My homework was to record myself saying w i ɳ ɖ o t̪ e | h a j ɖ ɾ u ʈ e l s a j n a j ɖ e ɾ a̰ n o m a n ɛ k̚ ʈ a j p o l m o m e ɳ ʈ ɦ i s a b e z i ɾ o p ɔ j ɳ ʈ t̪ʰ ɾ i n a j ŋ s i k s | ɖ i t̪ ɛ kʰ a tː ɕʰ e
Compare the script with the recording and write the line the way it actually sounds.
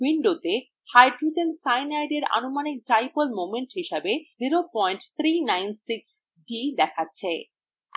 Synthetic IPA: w i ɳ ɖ o t̪ e | h a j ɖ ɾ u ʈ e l s a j n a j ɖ e ɾ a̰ n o m a n i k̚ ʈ a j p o l m o m e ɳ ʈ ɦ i ʃ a b e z i ɾ o p ɔ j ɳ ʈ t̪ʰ ɾ i n a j n s i k s | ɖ i d̪ ɛ kʰ a tː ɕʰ e